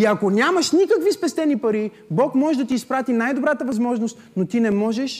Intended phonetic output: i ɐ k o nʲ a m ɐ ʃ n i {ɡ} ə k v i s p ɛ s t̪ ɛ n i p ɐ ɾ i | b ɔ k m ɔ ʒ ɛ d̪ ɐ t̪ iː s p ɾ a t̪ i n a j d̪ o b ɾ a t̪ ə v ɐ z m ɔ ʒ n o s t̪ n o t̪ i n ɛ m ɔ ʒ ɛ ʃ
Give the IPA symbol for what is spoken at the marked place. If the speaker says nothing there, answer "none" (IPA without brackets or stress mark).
k